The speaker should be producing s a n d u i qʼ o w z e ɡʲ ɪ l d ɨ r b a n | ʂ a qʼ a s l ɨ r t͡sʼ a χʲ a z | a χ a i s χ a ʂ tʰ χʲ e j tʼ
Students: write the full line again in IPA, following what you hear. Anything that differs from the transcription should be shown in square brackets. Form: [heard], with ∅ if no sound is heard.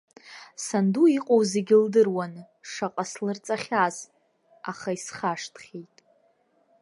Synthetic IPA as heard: s a n d u i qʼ o w z e ɡʲ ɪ l d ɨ r [w] a n | ʂ a qʼ a s l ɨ r t͡sʼ a χʲ a z | a χ a i s χ a ʂ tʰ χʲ e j tʼ